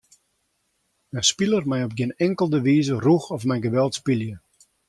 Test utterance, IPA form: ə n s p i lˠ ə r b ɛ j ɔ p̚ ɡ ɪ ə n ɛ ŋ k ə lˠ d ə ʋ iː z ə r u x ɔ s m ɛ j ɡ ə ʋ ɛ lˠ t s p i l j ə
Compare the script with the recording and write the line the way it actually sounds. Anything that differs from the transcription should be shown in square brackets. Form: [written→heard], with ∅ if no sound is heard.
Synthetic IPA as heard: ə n s p i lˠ ə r [b→m] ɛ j ɔ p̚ ɡ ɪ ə n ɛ ŋ k ə lˠ d ə ʋ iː z ə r u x ɔ [s→f] m ɛ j ɡ ə ʋ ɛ lˠ t s p i l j ə